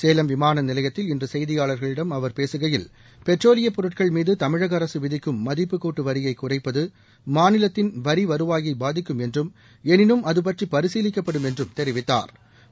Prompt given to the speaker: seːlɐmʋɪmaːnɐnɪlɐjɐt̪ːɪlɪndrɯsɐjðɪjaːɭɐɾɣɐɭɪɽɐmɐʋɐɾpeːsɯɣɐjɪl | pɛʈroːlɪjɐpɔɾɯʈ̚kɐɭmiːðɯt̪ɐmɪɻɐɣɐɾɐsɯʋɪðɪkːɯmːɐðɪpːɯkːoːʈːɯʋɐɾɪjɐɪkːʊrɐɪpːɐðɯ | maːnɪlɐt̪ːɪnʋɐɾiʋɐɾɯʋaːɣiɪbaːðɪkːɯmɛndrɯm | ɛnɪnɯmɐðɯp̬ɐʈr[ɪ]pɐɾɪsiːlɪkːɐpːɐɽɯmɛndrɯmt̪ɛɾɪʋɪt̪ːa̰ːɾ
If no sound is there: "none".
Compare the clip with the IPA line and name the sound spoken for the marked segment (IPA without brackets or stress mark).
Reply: i